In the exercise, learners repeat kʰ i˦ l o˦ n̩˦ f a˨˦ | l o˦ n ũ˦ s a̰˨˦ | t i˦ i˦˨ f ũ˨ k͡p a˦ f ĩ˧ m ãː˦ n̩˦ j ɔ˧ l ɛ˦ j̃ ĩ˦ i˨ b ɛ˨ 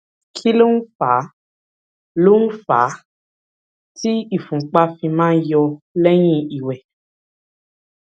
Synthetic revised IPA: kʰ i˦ l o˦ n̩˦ f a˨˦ | l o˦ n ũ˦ f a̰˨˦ | t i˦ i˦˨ f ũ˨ k͡p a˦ f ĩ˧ m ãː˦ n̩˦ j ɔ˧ l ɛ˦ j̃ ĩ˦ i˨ w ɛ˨